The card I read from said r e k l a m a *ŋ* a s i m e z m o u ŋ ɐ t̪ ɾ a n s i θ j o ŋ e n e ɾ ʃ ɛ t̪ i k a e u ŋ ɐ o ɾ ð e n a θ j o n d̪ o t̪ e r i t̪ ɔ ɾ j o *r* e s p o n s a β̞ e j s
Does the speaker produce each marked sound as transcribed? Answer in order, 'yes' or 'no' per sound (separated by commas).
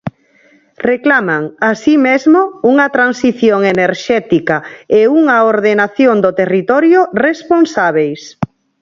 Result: yes, yes